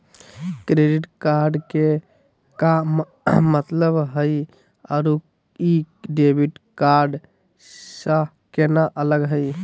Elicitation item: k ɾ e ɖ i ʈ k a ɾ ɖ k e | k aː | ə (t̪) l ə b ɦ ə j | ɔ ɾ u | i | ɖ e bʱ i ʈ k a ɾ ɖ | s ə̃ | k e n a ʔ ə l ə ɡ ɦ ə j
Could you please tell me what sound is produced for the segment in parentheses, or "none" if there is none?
t̪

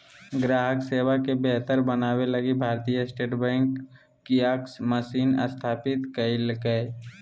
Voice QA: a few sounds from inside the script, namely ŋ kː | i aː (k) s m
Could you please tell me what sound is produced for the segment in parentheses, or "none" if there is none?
k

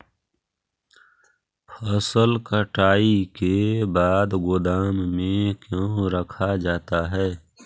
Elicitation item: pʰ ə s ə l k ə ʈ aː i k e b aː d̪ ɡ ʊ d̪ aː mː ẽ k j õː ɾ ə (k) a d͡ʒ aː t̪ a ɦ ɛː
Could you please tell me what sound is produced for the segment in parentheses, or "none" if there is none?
kʰ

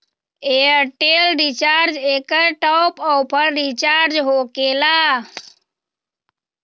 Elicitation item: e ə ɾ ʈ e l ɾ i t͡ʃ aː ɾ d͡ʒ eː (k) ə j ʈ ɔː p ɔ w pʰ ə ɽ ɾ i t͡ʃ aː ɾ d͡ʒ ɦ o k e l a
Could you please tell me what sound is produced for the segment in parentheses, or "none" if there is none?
k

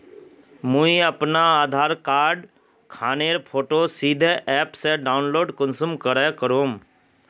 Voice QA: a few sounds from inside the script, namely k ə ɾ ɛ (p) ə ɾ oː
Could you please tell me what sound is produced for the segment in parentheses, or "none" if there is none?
k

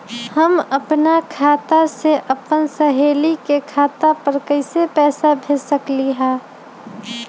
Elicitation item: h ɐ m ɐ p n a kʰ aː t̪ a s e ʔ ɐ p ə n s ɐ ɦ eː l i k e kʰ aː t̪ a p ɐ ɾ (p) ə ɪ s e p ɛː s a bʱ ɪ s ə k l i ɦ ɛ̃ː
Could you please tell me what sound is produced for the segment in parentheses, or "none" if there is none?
k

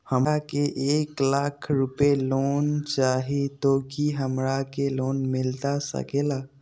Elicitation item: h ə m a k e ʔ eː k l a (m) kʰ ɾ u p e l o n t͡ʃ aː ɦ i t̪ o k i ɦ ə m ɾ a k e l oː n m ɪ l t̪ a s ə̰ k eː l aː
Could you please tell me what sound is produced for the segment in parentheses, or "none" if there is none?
none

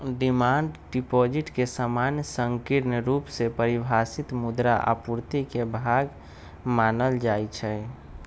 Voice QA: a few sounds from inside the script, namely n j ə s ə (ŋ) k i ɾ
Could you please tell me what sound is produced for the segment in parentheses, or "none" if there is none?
ŋ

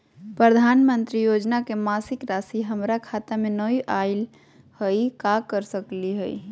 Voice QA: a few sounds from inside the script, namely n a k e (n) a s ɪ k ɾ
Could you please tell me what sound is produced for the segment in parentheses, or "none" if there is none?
m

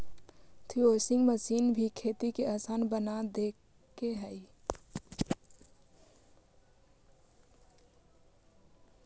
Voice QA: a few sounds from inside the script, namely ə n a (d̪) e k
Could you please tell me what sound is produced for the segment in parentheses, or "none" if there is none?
d̪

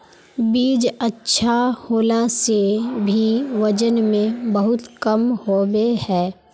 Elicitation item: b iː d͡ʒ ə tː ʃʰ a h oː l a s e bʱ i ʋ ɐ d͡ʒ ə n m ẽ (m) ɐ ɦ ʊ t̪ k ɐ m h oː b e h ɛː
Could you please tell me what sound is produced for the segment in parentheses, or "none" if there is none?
b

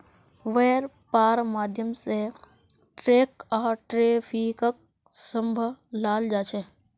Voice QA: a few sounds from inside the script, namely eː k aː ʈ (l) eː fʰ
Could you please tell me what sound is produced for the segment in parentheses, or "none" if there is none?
ɾ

